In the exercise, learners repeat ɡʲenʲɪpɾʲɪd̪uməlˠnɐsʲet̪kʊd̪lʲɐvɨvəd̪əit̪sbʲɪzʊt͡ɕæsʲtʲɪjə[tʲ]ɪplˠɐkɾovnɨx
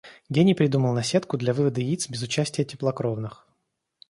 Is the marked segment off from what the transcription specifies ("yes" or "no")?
no